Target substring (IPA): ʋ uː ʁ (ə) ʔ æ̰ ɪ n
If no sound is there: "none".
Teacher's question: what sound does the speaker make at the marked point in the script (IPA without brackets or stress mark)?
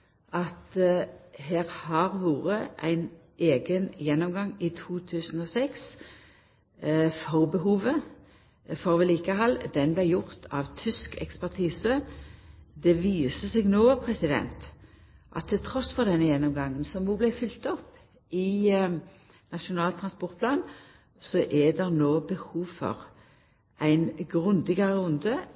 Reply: ə